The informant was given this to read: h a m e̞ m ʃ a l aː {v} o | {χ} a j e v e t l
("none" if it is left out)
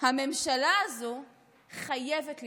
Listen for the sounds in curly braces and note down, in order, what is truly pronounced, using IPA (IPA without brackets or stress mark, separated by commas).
z, χ